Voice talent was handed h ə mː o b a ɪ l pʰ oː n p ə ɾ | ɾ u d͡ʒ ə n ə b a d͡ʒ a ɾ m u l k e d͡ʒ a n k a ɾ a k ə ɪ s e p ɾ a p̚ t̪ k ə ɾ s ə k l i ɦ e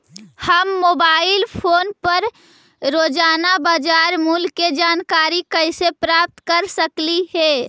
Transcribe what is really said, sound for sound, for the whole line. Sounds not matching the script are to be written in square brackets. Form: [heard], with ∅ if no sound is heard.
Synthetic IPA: h ə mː o b a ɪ l pʰ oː n p ə ɾ | ɾ [o] d͡ʒ [a] n [a] b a d͡ʒ a ɾ m u l k e d͡ʒ a n k a ɾ [i] k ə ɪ s e p ɾ a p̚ t̪ k ə ɾ s ə k l i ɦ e

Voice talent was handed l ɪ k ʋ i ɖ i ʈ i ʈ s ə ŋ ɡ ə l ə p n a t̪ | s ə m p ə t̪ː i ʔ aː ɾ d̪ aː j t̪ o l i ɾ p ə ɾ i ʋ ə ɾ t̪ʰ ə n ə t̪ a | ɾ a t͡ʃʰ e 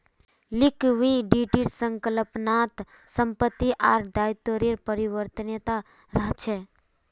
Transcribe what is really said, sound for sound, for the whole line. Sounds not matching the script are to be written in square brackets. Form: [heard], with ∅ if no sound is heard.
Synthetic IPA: l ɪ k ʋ i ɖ i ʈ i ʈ s ə ŋ [k] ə l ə p n a t̪ | s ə m p ə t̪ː i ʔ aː ɾ d̪ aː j t̪ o [ɾ] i ɾ p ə ɾ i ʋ ə ɾ [t̪] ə n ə t̪ a | ɾ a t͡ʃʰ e

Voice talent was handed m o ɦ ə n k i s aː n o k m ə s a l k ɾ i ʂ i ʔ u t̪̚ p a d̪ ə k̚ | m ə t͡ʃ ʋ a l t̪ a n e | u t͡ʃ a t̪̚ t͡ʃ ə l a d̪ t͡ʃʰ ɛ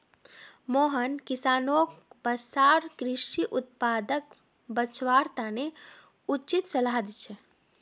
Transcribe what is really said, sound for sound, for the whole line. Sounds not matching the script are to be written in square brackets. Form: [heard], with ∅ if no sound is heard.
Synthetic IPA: m o ɦ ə n k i s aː n o k [b] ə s a [ɾ] k ɾ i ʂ i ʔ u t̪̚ p a d̪ ə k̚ | [b] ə t͡ʃ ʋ a [ɾ] t̪ a n e | u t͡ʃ [i] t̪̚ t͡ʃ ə l a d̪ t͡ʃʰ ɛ

